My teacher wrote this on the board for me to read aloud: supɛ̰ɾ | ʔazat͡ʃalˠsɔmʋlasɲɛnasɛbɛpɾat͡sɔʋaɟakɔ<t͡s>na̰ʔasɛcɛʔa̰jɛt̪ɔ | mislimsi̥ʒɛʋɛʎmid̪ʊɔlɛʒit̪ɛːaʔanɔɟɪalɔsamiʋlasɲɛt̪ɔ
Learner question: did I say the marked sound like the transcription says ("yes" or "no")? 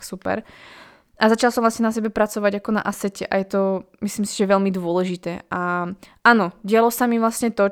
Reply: no